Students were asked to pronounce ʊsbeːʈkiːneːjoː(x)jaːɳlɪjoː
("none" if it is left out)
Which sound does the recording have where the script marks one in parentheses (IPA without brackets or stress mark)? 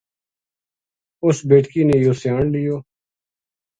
s